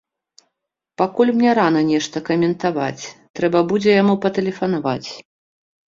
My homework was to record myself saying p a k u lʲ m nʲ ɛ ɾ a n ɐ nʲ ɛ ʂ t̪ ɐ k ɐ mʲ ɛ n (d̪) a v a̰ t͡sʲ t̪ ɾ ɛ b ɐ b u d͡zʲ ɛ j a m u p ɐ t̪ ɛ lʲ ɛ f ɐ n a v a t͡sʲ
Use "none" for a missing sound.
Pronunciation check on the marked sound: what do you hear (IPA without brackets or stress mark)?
t̪